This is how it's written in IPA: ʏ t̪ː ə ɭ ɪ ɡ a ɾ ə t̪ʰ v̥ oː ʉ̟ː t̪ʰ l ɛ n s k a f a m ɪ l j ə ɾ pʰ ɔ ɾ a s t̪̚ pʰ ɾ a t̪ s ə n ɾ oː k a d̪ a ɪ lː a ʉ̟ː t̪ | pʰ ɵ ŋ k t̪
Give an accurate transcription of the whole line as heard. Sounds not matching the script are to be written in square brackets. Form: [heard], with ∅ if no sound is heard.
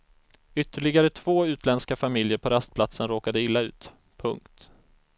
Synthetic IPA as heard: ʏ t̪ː ə ɭ ɪ ɡ a ɾ ə t̪ʰ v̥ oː ʉ̟ː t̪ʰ l ɛ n s k a f a m ɪ l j ə ɾ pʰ ɔ ɾ a s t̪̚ pʰ [l] a t̪ s ə n ɾ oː k a d̪ [ə] ɪ lː a ʉ̟ː t̪ | pʰ ɵ ŋ k t̪